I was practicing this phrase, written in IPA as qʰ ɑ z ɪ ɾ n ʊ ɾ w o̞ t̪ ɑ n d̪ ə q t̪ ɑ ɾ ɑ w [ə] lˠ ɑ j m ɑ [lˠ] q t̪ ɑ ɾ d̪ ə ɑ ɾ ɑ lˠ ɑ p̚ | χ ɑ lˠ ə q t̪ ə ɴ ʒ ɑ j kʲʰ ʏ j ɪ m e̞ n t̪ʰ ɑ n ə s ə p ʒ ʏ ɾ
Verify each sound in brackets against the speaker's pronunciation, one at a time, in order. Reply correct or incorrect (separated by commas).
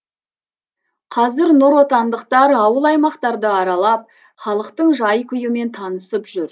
correct, incorrect